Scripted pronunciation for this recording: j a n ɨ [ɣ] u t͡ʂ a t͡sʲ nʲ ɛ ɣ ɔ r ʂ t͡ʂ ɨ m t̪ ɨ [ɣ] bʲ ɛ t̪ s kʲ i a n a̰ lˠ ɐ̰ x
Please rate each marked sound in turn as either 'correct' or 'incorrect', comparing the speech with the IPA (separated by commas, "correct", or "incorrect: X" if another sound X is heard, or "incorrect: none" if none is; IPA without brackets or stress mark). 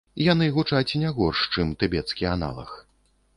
correct, incorrect: none